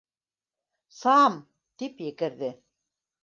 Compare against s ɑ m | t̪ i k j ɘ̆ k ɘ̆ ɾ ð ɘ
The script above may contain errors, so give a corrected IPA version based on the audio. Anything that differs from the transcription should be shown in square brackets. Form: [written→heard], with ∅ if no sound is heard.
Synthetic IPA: s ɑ m | t̪ i [k→p] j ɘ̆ k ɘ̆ ɾ ð ɘ